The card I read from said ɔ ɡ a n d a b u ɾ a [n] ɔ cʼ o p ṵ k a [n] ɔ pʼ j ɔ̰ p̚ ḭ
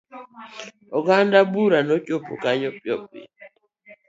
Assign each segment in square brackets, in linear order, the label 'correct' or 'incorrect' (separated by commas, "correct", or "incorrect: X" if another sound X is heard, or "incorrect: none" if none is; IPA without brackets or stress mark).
correct, incorrect: ɲ